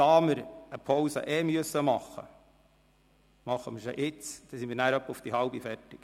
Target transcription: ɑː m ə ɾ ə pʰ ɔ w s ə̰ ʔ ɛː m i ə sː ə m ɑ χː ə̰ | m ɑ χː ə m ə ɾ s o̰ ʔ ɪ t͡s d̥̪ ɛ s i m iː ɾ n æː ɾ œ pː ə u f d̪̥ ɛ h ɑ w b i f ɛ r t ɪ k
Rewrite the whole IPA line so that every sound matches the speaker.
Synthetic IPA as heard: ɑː m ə ɾ ə pʰ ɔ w s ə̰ ʔ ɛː m y ə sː ə m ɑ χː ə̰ | m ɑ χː ə m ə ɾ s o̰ ʔ ɪ t͡s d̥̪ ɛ s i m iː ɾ n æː ɾ œ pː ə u f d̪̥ i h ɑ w b i f ɛ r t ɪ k